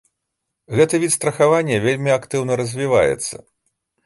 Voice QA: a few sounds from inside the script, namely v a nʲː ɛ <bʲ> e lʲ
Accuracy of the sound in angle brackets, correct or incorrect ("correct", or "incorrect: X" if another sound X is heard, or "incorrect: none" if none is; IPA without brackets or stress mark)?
incorrect: vʲ